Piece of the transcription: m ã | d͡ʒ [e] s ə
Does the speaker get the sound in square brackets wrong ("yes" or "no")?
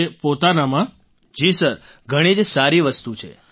yes